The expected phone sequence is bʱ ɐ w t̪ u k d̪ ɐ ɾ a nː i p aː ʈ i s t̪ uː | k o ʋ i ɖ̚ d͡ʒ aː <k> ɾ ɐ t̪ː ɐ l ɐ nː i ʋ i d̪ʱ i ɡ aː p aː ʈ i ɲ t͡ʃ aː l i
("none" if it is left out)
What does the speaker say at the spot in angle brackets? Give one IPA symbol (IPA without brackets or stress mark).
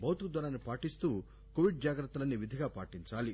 ɡ